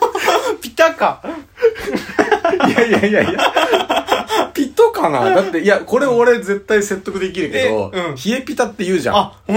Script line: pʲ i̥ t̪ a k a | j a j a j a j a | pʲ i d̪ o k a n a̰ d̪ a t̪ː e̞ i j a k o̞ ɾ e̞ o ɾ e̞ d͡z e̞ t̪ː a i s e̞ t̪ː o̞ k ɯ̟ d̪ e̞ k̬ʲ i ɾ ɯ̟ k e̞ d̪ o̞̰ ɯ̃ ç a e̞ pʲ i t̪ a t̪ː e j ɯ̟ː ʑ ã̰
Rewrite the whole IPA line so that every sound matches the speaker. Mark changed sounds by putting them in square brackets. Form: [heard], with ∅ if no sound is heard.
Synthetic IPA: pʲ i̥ t̪ a k a | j a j a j a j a | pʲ i [t̪] o k a n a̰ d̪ a t̪ː e̞ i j a k o̞ ɾ e̞ o ɾ e̞ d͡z e̞ t̪ː a i s e̞ t̪ː o̞ k ɯ̟ d̪ e̞ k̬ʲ i ɾ ɯ̟ k e̞ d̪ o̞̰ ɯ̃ ç [i] e̞ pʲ i t̪ a t̪ː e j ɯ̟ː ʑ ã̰